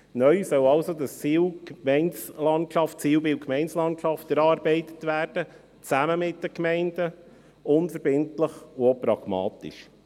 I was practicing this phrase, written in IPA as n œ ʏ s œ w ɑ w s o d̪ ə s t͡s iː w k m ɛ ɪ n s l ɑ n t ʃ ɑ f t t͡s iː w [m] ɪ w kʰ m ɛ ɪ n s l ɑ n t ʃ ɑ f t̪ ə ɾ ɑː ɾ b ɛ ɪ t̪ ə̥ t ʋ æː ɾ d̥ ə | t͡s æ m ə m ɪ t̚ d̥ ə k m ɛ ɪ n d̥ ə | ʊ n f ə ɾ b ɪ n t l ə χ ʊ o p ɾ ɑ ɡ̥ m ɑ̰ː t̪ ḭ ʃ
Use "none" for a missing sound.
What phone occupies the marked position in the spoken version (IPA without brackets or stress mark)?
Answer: b